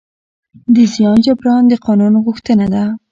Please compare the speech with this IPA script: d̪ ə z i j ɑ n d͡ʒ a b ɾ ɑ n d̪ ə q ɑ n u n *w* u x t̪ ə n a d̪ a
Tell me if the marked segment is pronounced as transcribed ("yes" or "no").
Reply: no